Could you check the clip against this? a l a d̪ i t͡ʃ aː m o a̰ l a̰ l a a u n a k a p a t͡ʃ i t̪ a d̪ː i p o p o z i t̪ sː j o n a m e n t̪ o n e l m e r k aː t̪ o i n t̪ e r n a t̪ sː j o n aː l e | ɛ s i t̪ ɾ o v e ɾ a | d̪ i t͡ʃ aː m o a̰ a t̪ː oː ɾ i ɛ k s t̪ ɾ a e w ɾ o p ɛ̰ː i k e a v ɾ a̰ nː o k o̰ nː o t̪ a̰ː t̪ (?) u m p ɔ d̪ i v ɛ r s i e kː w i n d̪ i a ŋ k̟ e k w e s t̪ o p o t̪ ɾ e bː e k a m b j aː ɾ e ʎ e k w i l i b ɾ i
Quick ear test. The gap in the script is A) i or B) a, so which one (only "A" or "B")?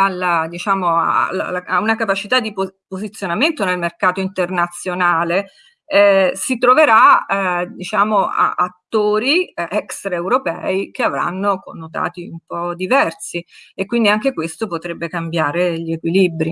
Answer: A